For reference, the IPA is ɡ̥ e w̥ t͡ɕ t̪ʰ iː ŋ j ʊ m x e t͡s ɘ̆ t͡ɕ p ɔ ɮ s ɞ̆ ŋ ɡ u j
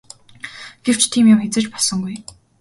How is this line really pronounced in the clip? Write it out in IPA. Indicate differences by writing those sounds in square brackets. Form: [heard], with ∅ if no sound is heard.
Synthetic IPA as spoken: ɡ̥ e w̥ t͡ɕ t̪ʰ iː [m] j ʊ m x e t͡s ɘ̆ t͡ɕ p ɔ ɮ s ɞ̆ ŋ ɡ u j